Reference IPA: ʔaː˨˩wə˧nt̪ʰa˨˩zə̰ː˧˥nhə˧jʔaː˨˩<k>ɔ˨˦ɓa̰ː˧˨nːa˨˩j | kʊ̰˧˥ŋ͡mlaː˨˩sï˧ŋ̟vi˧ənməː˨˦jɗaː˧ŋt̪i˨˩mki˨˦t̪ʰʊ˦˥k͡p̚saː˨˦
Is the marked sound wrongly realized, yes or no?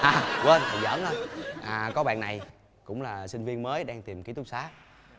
no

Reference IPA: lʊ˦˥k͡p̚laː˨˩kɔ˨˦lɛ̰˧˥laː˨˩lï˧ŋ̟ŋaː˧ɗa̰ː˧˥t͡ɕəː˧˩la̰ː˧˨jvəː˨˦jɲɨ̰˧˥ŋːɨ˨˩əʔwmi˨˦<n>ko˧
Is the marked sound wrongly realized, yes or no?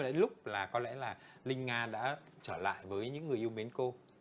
no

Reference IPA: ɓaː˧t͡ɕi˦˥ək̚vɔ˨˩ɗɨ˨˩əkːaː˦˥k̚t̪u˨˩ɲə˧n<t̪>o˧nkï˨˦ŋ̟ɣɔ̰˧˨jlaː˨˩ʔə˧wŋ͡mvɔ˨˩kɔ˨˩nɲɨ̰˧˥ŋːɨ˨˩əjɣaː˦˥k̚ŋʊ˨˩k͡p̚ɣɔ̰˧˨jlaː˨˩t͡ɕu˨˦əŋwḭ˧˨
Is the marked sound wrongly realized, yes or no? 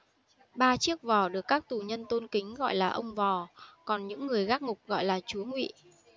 no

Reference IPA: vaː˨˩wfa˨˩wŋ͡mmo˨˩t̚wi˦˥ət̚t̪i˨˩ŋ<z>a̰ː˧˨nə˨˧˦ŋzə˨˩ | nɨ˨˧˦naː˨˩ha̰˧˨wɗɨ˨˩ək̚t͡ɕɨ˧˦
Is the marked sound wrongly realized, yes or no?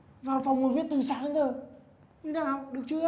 yes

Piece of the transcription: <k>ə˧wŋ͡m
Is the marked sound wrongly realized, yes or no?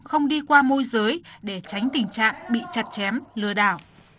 yes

